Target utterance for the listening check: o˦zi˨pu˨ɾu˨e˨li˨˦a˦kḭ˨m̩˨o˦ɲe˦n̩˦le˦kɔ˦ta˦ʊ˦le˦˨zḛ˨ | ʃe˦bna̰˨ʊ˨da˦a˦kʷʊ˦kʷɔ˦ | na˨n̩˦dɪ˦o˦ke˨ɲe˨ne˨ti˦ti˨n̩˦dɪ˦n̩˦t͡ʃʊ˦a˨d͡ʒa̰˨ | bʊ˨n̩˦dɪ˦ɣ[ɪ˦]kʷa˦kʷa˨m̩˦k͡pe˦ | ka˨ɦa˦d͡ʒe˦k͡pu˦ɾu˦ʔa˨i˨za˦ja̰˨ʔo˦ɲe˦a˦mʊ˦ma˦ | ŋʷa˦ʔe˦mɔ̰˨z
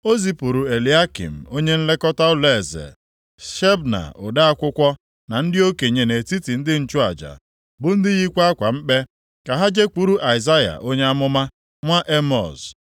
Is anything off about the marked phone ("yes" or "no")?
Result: yes